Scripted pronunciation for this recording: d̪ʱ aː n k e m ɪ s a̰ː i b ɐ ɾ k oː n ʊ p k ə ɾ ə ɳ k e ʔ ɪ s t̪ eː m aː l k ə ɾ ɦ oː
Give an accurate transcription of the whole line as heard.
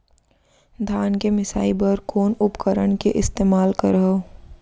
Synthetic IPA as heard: d̪ʱ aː n k e m ɪ s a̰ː i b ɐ ɾ k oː n ʊ p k ə ɾ ə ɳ k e ʔ ɪ s t̪ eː m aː l k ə ɾ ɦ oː